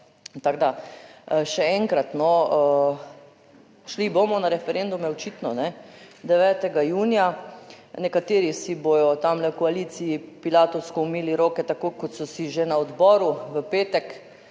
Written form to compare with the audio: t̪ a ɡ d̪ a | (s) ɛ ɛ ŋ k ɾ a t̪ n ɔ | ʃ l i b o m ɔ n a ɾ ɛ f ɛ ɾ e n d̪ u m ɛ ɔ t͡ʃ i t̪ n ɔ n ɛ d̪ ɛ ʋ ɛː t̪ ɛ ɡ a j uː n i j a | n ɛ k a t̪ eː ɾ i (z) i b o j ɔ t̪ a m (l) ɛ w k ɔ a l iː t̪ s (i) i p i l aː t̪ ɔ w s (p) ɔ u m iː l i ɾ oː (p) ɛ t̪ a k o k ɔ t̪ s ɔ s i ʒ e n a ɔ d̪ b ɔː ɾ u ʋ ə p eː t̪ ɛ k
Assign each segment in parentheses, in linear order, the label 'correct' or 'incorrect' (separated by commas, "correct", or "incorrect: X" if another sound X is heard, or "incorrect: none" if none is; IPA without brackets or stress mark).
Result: incorrect: ʃ, incorrect: s, correct, correct, incorrect: k, incorrect: k